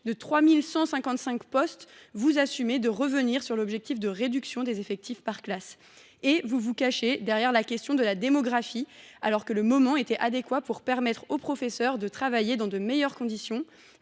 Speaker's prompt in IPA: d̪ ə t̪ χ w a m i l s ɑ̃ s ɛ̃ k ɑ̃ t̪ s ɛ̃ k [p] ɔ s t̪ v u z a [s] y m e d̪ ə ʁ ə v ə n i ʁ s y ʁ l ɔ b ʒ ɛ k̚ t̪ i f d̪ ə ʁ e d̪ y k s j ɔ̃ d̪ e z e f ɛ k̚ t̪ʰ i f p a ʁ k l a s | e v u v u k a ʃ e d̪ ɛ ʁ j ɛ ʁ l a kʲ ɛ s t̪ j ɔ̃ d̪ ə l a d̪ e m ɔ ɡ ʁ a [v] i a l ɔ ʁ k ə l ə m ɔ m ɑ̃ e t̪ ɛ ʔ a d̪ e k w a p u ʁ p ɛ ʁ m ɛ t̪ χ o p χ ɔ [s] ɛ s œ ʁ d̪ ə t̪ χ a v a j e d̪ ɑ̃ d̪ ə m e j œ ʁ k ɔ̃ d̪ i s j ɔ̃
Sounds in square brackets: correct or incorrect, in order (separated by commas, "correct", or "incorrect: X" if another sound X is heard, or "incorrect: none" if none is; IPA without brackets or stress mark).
correct, correct, incorrect: f, incorrect: f